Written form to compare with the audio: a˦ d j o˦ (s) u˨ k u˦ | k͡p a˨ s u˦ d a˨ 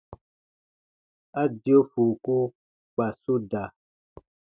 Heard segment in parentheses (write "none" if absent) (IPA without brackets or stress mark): f